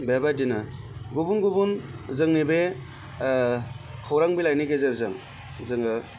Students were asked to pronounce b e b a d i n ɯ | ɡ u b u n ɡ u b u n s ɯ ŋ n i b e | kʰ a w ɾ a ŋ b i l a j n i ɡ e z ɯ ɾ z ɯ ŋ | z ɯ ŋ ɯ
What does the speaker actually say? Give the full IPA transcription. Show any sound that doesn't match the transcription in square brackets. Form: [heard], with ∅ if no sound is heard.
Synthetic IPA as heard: b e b a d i n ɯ | ɡ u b u n ɡ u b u n [z] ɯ ŋ n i b e | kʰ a w ɾ a ŋ b i l a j n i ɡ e z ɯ ɾ z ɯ ŋ | z ɯ ŋ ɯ